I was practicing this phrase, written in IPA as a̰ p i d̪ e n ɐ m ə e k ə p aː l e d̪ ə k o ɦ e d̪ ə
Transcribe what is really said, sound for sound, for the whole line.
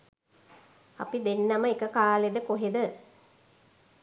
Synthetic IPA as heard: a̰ p i d̪ e nː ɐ m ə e k ə k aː l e d̪ ə k o ɦ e d̪ ə